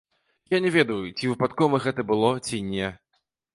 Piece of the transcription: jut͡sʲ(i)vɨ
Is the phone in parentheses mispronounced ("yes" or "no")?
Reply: no